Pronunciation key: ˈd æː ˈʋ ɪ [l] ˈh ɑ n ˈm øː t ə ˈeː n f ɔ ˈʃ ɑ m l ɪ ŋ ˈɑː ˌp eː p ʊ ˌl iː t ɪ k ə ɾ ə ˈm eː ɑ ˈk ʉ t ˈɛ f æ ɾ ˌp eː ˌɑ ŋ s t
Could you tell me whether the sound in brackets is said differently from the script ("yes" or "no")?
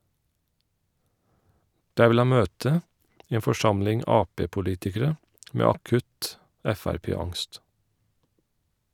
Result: no